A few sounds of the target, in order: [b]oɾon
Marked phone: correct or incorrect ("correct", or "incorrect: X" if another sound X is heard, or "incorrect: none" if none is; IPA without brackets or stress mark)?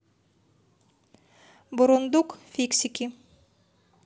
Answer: correct